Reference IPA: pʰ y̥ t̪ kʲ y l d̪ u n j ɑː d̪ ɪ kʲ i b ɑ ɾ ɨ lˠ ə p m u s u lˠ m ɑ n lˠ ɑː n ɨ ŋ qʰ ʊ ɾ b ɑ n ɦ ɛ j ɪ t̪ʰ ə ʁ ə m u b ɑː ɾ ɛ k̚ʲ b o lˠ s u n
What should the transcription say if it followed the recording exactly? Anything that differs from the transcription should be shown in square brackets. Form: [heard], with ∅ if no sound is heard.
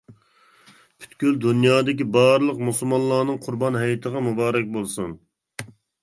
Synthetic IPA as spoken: pʰ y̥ t̪ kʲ y l d̪ u n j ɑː d̪ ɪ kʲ i b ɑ ɾ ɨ lˠ ə [q] m u s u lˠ m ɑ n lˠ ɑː n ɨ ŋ qʰ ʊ ɾ b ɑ n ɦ ɛ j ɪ t̪ʰ ə ʁ [ɑ] m u b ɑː ɾ ɛ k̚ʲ b o lˠ s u n